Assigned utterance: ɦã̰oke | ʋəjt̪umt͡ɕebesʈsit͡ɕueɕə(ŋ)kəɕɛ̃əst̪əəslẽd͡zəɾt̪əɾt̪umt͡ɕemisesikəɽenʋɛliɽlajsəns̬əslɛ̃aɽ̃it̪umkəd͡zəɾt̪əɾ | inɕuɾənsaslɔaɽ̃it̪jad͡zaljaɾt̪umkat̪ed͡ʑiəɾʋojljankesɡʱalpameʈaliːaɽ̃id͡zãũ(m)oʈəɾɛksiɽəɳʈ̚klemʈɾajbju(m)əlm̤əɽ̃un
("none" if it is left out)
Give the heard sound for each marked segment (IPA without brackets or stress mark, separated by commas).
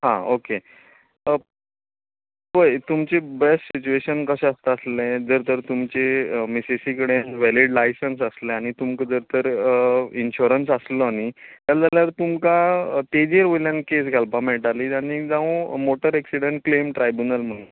n, m, n